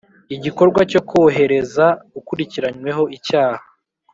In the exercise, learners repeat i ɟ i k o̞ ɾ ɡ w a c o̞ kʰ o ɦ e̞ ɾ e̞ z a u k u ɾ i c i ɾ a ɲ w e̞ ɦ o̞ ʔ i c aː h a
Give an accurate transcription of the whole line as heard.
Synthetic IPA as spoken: i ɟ i k o̞ ɾ ɡ w a c o̞ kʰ o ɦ e̞ ɾ e̞ z a u k u ɾ i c i ɾ a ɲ w e̞ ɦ o̞ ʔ i c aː h a